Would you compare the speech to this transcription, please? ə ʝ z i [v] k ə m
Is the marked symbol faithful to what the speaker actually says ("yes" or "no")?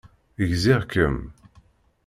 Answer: no